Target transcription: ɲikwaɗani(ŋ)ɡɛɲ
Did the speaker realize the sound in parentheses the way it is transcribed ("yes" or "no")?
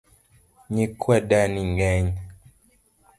yes